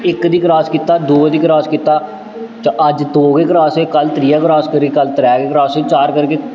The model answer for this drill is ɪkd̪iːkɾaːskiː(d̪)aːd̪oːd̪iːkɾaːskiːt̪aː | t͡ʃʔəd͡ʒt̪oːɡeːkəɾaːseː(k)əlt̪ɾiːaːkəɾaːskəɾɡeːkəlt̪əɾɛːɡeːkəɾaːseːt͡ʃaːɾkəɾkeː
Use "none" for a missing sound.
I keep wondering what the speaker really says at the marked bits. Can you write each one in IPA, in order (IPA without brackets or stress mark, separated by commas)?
t̪, k